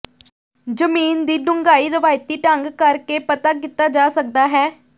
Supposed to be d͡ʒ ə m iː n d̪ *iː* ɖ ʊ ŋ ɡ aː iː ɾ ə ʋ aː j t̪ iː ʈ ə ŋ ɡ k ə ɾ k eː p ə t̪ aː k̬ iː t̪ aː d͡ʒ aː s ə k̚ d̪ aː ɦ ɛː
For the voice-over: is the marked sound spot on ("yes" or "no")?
yes